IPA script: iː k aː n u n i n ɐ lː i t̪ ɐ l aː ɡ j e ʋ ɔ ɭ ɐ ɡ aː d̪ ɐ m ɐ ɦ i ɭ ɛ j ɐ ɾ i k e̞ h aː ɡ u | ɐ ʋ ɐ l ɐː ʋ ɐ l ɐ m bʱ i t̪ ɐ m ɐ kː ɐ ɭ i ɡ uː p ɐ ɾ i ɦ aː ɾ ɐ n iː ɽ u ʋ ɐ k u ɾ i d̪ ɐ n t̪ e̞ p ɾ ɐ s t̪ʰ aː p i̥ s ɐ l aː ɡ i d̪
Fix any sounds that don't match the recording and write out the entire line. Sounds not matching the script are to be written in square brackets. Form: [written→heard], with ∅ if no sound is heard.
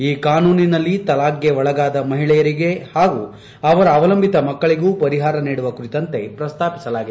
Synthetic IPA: iː k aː n [u→uː] n i n ɐ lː i t̪ ɐ l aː ɡ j e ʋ ɔ ɭ ɐ ɡ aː d̪ ɐ m ɐ ɦ i ɭ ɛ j ɐ ɾ i [k→ɡ] e̞ h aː ɡ u | ɐ ʋ ɐ [l→ɾ] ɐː ʋ ɐ l ɐ m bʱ i t̪ ɐ m ɐ kː ɐ ɭ i ɡ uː p ɐ ɾ i ɦ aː ɾ ɐ n iː ɽ u ʋ ɐ k u ɾ i [d̪→t̪] ɐ n t̪ e̞ p ɾ ɐ s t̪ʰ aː p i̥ s ɐ l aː ɡ i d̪

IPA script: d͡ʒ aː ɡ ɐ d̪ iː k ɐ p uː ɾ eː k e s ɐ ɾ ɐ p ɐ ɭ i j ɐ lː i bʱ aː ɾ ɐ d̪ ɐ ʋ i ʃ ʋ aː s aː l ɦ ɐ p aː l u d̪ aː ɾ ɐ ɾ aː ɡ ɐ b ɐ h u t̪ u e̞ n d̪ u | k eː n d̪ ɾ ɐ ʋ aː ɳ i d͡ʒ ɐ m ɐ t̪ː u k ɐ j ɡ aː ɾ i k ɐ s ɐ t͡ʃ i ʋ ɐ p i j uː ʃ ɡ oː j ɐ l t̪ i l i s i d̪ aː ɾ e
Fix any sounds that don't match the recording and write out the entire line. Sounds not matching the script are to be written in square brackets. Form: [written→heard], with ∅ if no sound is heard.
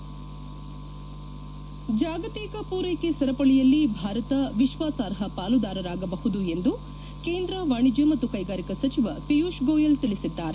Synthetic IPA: d͡ʒ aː ɡ ɐ [d̪→t̪] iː k ɐ p uː ɾ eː k e s ɐ ɾ ɐ p ɐ ɭ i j ɐ lː i bʱ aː ɾ ɐ [d̪→t̪] ɐ ʋ i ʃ ʋ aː s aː [l→ɾ] ɦ ɐ p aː l u d̪ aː ɾ ɐ ɾ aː ɡ ɐ b ɐ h u [t̪→d̪] u e̞ n d̪ u | k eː n d̪ ɾ ɐ ʋ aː ɳ i d͡ʒ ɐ m ɐ t̪ː u k ɐ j ɡ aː ɾ i k ɐ s ɐ t͡ʃ i ʋ ɐ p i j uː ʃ ɡ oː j ɐ l t̪ i l i s i [d̪→d̪ː] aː ɾ e

